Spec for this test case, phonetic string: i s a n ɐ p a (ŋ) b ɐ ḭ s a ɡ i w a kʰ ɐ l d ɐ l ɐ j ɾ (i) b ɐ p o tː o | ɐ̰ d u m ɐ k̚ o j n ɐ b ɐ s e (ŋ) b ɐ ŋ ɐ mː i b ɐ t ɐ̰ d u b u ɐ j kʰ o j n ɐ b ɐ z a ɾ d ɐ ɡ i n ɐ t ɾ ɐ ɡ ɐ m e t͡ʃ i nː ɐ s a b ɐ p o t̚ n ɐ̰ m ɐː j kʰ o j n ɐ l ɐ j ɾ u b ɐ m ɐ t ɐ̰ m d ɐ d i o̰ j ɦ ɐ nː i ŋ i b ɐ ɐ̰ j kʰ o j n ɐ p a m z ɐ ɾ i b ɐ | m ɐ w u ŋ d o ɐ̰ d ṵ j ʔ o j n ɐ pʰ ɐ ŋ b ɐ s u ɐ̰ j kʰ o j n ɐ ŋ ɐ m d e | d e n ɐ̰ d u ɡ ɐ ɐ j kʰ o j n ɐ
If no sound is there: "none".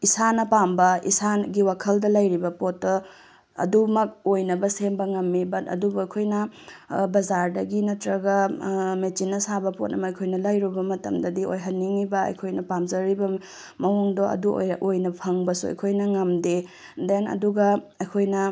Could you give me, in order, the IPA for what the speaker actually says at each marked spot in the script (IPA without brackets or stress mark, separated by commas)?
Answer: m, i, m